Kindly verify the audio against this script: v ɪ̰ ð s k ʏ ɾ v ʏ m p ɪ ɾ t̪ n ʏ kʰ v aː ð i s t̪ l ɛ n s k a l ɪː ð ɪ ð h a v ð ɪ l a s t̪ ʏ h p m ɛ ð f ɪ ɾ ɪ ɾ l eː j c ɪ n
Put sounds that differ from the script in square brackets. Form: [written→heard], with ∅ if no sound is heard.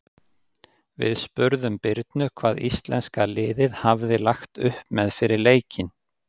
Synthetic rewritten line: v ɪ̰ ð s [k→p] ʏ ɾ [v→ð] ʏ m p ɪ ɾ t̪ n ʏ kʰ v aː ð i s t̪ l ɛ n s k a l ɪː ð ɪ ð h a v ð ɪ l a [s→x] t̪ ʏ h p m ɛ ð f ɪ ɾ ɪ ɾ l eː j c ɪ n